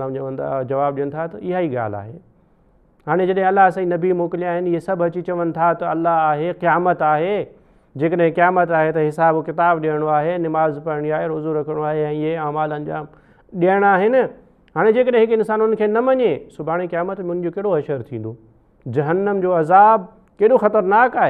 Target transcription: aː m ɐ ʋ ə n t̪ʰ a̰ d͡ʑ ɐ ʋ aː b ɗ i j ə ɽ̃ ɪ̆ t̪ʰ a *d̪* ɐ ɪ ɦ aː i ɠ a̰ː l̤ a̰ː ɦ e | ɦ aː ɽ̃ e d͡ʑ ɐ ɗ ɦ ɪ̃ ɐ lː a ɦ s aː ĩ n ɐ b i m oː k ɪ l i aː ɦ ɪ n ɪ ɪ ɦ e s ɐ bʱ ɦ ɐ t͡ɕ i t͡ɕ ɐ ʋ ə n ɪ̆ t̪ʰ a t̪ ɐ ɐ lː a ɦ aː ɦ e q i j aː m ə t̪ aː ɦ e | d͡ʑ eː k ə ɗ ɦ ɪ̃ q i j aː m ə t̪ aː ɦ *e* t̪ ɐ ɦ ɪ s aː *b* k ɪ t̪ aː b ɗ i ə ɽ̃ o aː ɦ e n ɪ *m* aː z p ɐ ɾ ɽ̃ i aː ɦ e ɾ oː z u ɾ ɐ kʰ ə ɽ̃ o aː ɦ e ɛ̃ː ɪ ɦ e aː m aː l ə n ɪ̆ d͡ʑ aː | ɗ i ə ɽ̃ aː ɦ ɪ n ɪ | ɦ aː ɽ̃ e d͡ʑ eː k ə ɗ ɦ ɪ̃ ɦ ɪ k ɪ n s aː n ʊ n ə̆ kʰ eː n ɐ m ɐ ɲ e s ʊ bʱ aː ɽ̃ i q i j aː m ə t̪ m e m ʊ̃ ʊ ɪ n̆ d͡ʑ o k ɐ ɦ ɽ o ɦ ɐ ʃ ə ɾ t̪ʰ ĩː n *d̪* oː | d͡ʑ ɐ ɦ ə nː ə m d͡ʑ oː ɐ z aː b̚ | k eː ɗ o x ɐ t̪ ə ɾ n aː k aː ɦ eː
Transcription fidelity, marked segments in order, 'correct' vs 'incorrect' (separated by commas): incorrect, correct, correct, correct, correct